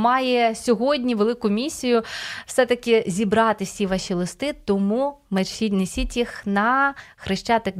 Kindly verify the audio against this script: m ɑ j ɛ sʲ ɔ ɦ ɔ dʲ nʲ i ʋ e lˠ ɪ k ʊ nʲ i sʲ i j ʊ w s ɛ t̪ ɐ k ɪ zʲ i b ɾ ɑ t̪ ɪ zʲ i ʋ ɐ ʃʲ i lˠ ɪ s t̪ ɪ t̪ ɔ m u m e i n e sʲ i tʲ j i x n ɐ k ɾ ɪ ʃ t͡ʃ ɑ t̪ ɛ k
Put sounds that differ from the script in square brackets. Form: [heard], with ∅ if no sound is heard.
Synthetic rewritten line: m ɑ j ɛ sʲ ɔ ɦ ɔ dʲ nʲ i ʋ e lˠ ɪ k ʊ [mʲ] i sʲ i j ʊ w s ɛ t̪ ɐ k ɪ zʲ i b ɾ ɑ t̪ ɪ [sʲ] i ʋ [ɑ] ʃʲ i lˠ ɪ s t̪ ɪ t̪ ɔ m u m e i n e sʲ i tʲ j i x n ɐ [x] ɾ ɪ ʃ t͡ʃ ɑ t̪ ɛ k